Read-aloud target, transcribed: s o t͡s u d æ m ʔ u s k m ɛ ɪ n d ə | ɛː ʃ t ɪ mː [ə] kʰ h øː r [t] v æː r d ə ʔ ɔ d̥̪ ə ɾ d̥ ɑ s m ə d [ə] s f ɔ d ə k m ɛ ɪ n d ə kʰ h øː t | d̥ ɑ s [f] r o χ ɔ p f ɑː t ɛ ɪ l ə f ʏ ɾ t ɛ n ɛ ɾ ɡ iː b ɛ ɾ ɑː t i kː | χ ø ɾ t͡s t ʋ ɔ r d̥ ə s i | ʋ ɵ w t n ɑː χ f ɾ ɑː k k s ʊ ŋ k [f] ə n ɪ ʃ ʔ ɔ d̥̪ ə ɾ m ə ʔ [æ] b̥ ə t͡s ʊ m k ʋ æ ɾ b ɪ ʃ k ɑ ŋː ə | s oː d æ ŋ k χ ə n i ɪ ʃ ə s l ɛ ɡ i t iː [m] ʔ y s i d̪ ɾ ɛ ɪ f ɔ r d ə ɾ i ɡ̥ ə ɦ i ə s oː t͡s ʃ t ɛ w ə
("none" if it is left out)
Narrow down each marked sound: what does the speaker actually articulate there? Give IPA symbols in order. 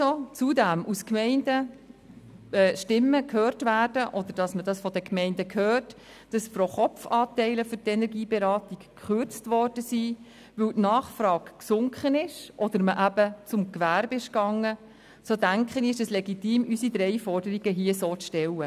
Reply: ə, t, ɑ, f, χ, æ, m

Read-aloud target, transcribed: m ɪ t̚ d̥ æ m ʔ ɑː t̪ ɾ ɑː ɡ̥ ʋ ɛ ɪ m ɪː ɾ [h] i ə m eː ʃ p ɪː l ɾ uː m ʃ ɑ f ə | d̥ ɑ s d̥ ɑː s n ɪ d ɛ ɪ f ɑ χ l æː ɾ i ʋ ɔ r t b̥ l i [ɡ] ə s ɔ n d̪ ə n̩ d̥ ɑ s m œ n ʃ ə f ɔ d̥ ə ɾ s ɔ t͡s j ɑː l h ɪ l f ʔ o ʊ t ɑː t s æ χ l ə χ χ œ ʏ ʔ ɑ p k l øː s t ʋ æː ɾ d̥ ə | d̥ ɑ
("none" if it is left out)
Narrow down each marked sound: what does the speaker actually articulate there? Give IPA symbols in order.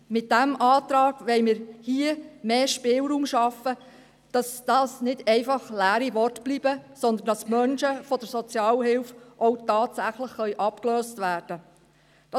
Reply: h, b

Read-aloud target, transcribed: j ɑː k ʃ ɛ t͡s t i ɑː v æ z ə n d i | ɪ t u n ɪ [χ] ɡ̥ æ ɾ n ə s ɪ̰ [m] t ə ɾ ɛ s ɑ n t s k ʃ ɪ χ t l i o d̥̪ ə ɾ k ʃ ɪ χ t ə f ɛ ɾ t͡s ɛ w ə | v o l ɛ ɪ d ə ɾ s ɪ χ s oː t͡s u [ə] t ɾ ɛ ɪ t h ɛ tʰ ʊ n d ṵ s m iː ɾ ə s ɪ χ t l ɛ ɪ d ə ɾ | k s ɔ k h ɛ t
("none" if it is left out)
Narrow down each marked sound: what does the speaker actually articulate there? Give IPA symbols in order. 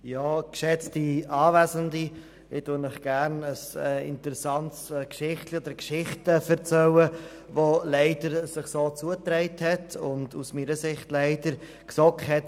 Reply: χ, n, ə

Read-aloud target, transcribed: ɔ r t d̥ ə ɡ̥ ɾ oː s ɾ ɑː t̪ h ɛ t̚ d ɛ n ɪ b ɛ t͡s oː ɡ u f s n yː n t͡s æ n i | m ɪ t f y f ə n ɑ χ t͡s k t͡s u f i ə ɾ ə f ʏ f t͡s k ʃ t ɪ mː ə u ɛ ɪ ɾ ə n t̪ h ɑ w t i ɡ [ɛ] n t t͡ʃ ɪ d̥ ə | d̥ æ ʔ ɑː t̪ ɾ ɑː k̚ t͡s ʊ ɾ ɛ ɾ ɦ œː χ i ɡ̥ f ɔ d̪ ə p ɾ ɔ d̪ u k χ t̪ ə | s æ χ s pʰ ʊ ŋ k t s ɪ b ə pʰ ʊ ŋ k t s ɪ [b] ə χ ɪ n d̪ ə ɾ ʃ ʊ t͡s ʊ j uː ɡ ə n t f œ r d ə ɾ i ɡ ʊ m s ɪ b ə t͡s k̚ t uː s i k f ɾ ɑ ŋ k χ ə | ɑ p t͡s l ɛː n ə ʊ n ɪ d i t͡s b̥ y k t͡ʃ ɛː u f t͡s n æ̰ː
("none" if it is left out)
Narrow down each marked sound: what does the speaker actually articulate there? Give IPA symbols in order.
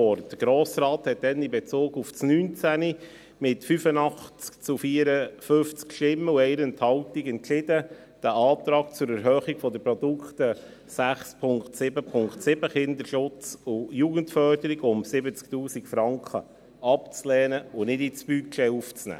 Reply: ɛ, b

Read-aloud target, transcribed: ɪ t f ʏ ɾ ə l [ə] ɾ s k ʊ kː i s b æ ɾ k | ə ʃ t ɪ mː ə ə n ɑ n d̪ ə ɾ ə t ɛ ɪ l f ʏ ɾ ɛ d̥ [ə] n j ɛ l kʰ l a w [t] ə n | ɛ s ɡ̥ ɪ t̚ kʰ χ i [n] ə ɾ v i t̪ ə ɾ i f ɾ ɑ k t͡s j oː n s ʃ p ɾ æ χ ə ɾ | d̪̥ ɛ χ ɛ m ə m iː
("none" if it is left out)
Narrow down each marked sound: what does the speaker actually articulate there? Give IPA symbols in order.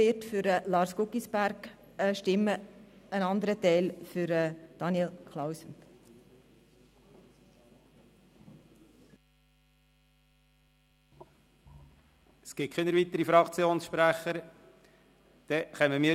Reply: ɑ, ɑ, s, n

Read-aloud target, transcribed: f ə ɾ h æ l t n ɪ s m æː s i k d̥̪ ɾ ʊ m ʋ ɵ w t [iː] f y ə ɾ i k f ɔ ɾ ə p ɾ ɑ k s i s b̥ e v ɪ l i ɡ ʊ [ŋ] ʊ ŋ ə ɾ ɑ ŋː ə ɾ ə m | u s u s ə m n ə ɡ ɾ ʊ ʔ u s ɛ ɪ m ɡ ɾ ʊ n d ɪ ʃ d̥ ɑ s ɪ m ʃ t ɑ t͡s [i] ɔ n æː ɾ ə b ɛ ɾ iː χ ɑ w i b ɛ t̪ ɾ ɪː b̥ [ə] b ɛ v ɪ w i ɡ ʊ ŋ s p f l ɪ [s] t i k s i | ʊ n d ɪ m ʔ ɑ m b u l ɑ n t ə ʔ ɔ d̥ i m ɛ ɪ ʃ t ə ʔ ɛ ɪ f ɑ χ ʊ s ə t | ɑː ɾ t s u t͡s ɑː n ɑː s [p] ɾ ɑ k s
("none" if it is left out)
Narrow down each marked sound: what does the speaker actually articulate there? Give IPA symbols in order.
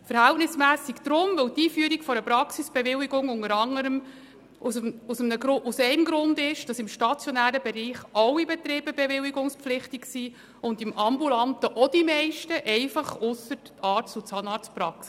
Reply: iː, ŋ, j, ə, χ, p

